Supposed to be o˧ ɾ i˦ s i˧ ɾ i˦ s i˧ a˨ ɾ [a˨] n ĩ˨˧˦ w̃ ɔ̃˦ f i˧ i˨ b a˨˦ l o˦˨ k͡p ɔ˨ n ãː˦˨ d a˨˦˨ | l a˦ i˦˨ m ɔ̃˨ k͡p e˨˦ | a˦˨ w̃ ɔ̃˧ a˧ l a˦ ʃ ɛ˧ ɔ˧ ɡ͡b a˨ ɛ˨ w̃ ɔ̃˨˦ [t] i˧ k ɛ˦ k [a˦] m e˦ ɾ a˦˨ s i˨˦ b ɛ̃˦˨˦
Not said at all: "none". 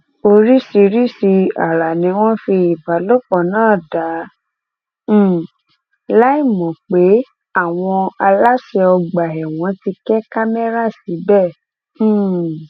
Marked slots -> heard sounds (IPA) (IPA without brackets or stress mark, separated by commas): a˨, t, a˦